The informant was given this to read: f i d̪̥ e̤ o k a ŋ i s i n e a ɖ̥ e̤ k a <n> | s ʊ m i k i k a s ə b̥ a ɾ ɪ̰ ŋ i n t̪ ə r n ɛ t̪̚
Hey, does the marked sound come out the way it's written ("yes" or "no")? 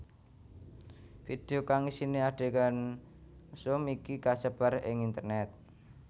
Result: yes